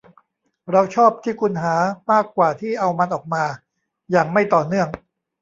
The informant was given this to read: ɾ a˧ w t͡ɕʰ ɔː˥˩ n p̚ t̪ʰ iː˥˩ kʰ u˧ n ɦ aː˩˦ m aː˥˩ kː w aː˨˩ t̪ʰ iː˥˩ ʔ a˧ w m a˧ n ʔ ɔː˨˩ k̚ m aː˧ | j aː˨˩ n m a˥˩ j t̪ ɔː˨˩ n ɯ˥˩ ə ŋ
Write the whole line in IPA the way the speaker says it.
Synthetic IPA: ɾ a˧ w t͡ɕʰ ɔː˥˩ p̚ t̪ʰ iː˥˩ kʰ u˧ n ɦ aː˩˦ m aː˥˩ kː w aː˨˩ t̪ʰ iː˥˩ ʔ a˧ w m a˧ n ʔ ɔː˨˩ k̚ m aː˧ | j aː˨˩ ŋ m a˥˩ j t̪ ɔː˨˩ n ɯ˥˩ ə ŋ